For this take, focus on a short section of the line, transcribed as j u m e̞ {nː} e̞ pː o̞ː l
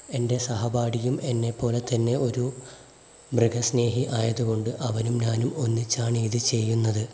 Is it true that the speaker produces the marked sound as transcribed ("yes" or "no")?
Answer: yes